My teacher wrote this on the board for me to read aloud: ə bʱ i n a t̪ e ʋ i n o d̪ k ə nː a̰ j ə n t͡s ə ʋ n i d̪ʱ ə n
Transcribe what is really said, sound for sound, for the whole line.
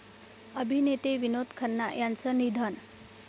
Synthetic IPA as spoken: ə bʱ i n e t̪ e ʋ i n o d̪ kʰ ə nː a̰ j a n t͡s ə n i d̪ʱ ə n